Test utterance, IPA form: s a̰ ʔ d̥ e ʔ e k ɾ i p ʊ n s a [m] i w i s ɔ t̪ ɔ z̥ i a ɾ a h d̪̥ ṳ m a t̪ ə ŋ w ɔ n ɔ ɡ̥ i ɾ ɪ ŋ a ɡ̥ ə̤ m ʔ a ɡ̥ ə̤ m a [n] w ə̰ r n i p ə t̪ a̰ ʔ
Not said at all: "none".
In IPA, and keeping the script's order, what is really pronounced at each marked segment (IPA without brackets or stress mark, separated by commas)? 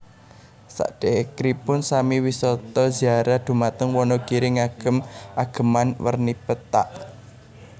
m, n